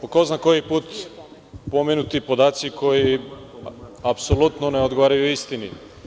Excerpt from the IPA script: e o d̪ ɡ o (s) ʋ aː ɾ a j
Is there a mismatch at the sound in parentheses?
yes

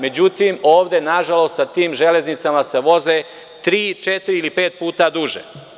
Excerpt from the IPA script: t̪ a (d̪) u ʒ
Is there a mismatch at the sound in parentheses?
no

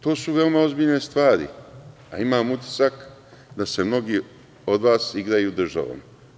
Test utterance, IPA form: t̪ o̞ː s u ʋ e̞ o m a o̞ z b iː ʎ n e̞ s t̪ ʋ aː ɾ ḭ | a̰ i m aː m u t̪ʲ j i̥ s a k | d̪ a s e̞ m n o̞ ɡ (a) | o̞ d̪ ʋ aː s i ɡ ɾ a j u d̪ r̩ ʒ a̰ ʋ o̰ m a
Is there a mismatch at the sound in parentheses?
yes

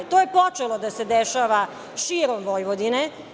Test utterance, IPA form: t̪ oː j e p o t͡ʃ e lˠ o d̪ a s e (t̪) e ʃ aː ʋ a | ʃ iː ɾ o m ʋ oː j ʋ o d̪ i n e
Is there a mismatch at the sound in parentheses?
yes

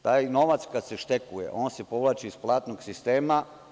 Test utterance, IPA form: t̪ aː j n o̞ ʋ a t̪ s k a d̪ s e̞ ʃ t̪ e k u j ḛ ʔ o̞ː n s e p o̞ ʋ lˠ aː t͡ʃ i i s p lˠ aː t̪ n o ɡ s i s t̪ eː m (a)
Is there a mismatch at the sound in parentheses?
no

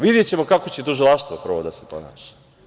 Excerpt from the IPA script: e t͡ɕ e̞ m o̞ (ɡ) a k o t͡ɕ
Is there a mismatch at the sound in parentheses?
yes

